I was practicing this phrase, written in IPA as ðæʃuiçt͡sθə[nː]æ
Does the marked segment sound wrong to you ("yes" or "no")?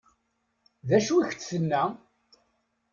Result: no